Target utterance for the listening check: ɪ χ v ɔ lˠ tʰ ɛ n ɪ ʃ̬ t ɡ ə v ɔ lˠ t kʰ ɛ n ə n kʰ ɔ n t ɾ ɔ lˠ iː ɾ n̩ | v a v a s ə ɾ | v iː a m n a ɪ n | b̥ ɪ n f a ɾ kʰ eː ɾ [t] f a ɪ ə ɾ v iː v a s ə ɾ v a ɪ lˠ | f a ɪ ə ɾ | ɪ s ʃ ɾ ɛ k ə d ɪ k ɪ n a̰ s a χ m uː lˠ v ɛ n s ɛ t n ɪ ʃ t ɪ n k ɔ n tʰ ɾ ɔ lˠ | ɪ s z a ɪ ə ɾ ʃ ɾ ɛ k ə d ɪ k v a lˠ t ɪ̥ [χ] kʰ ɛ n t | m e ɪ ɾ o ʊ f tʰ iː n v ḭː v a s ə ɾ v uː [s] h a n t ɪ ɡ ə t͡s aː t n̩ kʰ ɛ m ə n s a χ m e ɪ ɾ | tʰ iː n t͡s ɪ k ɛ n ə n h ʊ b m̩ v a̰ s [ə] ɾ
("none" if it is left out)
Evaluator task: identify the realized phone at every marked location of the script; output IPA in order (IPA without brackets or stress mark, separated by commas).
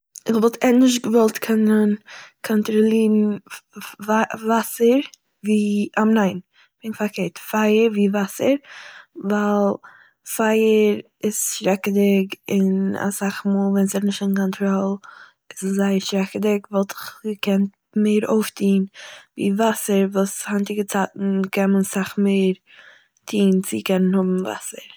t, χ, s, ə